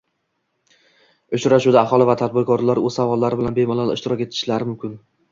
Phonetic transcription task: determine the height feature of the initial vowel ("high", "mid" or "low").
high